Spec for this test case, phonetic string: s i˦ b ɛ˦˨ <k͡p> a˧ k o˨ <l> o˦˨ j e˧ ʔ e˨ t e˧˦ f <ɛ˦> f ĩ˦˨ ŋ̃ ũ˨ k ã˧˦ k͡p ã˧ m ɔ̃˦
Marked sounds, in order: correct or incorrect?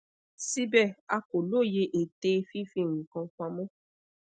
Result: incorrect: none, correct, incorrect: i˦

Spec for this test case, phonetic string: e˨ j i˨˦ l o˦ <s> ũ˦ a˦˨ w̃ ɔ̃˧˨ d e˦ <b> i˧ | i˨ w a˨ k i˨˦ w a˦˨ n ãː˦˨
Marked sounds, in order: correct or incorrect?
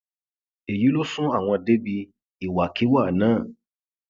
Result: correct, correct

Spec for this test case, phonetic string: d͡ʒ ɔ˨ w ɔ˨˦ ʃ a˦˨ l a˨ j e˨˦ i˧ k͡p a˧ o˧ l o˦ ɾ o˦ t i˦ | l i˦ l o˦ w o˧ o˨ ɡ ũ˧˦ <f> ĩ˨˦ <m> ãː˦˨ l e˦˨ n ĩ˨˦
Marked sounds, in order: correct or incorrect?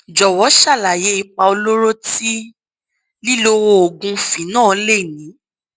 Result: correct, incorrect: n

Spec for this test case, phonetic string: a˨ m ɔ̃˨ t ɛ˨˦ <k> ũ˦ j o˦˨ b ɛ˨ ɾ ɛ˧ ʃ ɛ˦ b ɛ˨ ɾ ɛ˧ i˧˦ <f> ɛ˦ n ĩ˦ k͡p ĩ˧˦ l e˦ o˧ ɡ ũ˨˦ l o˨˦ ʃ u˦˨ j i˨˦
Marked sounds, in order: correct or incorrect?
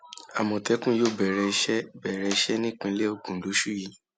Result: correct, incorrect: ʃ

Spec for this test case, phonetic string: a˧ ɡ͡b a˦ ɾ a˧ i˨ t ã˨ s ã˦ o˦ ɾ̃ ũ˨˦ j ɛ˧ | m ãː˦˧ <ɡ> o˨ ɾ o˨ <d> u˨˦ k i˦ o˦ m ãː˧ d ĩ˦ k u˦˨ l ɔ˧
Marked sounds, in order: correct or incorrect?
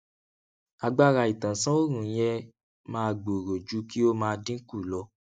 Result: incorrect: ɡ͡b, incorrect: d͡ʒ

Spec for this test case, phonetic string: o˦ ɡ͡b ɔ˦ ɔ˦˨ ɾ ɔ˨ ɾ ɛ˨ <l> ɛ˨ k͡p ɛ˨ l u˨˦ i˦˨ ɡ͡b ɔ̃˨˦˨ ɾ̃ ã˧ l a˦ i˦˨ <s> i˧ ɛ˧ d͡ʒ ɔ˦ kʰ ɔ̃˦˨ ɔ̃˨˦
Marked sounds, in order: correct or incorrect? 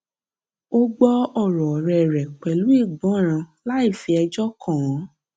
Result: incorrect: ɾ, incorrect: f

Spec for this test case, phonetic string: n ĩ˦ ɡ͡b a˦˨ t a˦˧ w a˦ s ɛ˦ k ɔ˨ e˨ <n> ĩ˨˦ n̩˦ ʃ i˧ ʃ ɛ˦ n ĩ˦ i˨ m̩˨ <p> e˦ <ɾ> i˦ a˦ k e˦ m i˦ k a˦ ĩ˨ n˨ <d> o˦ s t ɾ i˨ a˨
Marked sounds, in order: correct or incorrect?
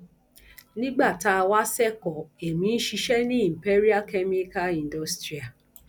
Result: incorrect: m, correct, correct, correct

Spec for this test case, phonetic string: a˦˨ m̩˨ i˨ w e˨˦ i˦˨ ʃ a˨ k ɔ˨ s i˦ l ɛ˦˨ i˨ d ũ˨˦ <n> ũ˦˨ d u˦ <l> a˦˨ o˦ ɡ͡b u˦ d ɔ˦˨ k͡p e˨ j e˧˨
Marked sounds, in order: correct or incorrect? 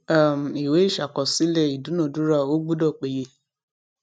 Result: correct, incorrect: ɾ

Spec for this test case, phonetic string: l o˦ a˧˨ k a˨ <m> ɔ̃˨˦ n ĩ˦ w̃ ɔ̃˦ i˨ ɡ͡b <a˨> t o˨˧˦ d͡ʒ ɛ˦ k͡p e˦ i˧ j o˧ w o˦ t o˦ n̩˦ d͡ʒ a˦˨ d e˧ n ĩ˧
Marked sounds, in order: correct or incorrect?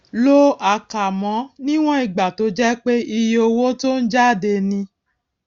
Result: correct, correct

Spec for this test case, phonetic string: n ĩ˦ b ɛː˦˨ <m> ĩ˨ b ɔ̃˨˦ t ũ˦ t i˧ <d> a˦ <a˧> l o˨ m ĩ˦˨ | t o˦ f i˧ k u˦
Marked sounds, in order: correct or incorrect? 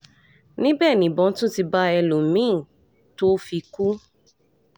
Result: incorrect: n, incorrect: b, incorrect: ɛ˧

